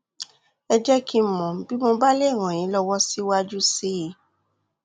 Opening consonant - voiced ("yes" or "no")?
yes